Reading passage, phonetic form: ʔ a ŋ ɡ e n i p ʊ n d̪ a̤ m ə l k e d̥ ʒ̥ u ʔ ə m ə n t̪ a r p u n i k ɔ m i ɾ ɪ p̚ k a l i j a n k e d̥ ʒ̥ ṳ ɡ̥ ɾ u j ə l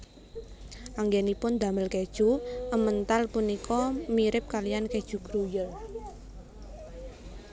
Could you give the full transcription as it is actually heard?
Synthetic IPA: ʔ a ŋ ɡ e n i p ʊ n d̪ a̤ m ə l k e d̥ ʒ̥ u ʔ ə m ə n t̪ a l p u n i k ɔ m i ɾ ɪ p̚ k a l i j a n k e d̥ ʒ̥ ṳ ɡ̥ ɾ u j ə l